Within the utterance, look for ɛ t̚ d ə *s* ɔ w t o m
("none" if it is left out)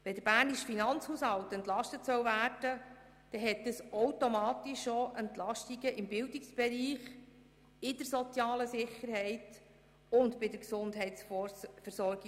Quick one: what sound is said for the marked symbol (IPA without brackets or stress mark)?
s